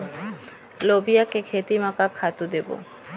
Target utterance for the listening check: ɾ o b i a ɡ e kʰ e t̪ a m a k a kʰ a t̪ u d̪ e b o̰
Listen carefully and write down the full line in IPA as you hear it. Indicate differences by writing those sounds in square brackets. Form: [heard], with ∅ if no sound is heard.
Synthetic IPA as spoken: [l] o b i a [k] e kʰ e t̪ [i] m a k a kʰ a t̪ u d̪ e b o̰